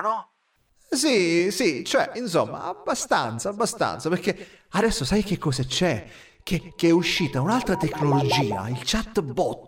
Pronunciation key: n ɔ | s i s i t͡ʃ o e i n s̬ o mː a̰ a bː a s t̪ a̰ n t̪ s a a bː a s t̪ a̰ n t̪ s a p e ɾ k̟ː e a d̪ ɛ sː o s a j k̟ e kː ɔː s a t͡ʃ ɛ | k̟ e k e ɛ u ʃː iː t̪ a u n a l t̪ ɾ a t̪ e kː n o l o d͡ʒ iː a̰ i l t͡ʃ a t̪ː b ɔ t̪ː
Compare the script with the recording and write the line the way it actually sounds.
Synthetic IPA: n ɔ | s i s i t͡ʃ o ɛ i n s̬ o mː a̰ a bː a s t̪ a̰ n t̪ s a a bː a s t̪ a̰ n t̪ s a p e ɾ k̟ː e a d̪ ɛ sː o s a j k̟ e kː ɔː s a t͡ʃ ɛ | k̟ e k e ɛ u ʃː iː t̪ a u n a l t̪ ɾ a t̪ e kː n o l o d͡ʒ iː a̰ i l t͡ʃ a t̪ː b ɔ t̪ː